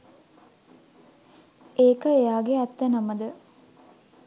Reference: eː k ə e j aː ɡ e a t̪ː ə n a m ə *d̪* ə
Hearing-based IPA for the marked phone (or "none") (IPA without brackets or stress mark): d̪